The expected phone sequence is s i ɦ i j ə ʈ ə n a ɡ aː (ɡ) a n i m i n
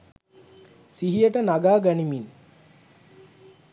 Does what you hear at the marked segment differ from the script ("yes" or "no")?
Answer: no